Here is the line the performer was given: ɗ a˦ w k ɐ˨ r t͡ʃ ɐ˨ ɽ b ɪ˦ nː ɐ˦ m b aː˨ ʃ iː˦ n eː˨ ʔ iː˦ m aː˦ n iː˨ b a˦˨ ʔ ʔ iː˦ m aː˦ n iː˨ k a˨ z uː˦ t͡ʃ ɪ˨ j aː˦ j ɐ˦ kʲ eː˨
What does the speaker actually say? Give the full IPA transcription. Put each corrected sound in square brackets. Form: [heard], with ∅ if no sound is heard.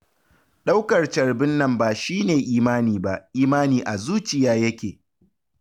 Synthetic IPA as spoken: ɗ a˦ w k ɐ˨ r t͡ʃ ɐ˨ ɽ b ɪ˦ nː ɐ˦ m b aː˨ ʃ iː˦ n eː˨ ʔ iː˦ m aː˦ n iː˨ b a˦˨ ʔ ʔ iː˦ m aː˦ n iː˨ [ʔ] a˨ z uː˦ t͡ʃ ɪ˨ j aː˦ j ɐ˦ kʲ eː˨